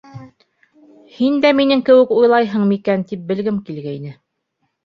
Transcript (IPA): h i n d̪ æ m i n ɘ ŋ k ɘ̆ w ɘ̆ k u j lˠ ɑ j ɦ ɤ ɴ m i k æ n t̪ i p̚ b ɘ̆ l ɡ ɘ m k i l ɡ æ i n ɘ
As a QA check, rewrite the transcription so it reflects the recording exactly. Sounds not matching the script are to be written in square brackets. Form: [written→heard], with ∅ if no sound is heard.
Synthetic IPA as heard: h i n d̪ æ m i n ɘ ŋ k ɘ̆ w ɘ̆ k u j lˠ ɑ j ɦ ɤ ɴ m i k æ n t̪ i p̚ b ɘ̆ l ɡ ɘ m k i l ɡ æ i n ɘ